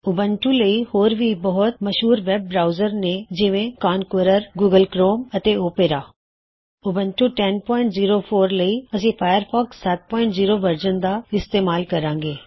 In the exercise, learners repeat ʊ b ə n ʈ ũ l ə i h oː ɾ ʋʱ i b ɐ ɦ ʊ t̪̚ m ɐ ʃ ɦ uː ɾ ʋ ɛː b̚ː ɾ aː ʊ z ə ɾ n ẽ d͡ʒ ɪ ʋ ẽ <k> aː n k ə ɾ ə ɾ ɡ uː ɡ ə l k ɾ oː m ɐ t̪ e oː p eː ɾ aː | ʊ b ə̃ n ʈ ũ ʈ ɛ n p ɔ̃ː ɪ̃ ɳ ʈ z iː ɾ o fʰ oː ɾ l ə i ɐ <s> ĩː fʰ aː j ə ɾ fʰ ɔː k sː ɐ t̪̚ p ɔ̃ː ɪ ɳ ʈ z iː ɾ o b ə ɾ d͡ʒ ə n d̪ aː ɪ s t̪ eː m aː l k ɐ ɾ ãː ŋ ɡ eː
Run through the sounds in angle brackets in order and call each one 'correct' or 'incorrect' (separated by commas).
correct, correct